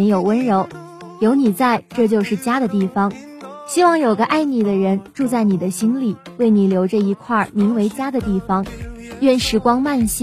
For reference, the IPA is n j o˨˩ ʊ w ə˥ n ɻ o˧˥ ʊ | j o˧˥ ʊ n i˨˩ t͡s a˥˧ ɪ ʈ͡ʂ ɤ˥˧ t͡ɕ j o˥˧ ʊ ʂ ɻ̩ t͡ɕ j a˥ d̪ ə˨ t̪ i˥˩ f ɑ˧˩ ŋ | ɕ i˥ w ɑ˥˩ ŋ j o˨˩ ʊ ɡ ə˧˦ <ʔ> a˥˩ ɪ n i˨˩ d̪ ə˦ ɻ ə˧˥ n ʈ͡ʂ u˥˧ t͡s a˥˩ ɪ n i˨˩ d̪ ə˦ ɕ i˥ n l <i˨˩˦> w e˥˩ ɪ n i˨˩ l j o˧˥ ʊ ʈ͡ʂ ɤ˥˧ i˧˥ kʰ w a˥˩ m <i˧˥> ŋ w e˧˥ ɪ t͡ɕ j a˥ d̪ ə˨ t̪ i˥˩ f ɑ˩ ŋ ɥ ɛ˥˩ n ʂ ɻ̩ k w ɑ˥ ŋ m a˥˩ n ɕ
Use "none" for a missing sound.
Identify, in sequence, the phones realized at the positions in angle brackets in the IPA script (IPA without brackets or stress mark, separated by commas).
ʔ, i˨˩˦, i˧˥